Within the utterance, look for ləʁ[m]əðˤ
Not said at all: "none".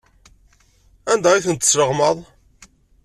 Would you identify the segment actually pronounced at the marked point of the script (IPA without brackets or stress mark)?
m